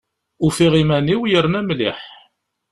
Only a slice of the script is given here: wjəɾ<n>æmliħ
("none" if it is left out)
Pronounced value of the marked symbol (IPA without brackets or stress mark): n